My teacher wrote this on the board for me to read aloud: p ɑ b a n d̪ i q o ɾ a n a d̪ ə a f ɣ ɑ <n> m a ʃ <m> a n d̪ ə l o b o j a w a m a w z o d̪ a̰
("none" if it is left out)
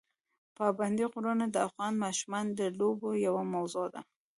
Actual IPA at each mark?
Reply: n, m

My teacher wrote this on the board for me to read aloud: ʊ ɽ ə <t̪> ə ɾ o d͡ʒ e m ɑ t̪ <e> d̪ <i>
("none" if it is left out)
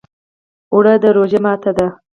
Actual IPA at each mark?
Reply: d̪, a, a

